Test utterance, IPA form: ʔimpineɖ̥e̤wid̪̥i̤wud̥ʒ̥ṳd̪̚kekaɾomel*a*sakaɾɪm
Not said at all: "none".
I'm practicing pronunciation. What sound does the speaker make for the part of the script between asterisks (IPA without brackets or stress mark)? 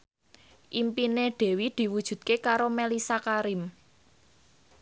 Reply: i